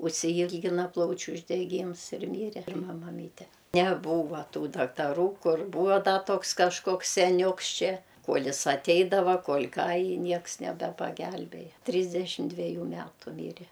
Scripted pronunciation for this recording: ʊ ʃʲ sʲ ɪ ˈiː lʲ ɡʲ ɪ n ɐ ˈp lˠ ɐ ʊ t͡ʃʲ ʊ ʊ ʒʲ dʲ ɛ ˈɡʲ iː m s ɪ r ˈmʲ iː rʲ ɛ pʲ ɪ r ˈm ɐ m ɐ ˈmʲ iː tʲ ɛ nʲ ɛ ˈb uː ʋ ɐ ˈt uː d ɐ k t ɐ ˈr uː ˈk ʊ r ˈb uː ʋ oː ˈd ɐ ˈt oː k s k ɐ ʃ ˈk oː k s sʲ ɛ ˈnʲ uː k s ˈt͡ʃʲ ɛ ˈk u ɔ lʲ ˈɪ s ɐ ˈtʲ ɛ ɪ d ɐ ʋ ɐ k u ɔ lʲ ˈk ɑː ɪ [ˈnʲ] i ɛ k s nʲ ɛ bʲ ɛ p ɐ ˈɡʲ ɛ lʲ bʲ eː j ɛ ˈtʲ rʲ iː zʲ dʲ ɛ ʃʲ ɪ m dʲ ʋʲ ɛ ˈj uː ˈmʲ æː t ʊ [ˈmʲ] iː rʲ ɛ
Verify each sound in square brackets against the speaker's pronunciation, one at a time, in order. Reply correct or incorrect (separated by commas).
correct, correct